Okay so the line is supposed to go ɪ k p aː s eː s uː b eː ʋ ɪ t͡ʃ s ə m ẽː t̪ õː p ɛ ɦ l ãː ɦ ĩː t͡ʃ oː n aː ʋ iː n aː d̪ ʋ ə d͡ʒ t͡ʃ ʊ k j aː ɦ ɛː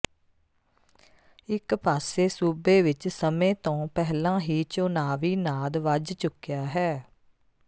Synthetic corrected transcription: ɪ k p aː s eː s uː b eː ʋ ɪ t͡ʃ s ə m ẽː t̪ õː p ɛ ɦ l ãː ɦ iː t͡ʃ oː n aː ʋ iː n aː d̪ ʋ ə d͡ʒ t͡ʃ ʊ k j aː ɦ ɛː